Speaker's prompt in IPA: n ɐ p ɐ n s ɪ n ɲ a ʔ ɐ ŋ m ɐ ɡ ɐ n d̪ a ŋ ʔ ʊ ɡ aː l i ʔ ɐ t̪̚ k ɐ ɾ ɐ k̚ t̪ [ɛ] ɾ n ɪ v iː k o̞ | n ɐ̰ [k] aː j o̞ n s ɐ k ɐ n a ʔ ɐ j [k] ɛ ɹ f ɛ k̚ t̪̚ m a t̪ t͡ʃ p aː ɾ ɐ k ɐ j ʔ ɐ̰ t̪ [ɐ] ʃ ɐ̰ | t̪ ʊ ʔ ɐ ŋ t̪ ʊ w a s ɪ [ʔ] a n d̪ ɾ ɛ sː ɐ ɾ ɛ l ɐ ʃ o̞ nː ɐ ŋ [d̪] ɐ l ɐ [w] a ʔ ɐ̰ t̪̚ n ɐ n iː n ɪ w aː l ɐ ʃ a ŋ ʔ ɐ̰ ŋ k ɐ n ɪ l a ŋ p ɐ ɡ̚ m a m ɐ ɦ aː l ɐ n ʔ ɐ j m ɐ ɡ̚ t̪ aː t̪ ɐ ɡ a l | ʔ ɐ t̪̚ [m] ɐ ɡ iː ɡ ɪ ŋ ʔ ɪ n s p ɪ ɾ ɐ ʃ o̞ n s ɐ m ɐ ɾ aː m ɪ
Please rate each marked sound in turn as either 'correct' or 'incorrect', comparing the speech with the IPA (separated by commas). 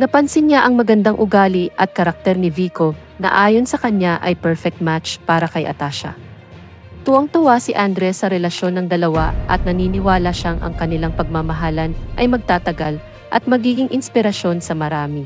correct, incorrect, incorrect, incorrect, correct, correct, correct, correct